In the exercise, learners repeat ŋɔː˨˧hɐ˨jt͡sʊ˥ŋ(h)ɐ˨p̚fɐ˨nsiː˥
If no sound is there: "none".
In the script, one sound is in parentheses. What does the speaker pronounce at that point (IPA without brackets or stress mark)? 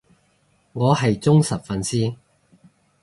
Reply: s